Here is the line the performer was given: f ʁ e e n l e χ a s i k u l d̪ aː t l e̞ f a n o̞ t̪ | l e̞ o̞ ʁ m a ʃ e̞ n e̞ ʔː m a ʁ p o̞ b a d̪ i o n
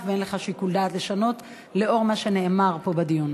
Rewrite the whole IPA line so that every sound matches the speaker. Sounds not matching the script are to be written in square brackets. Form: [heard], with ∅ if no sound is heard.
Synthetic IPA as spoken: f [v] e e n l e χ a [ʃ] i k u l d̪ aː t l e̞ [ʃ] a n o̞ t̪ | l e̞ o̞ ʁ m a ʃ e̞ n e̞ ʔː m a ʁ p o̞ b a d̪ i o n